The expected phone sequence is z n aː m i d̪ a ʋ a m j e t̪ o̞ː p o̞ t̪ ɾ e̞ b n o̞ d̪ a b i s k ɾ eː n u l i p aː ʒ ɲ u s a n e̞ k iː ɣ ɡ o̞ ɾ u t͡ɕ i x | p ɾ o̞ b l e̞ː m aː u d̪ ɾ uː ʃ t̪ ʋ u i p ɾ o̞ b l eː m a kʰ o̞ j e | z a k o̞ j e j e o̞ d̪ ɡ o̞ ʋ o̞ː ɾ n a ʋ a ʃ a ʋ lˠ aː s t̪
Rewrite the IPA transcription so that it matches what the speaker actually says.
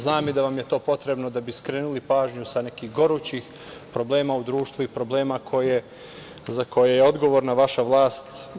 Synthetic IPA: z n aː m i d̪ a ʋ a m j e t̪ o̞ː p o̞ t̪ ɾ e̞ b n o̞ d̪ a b i s k ɾ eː n u l i p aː ʒ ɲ u s a n e̞ k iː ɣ ɡ o̞ ɾ u t͡ɕ i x | p ɾ o̞ b l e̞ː m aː u d̪ ɾ uː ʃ t̪ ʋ u i p ɾ o̞ b l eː m a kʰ o̞ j e | z a k o̞ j e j e o̞ d̪ ɡ o̞ ʋ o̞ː ɾ n a ʋ a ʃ a ʋ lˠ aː s t̪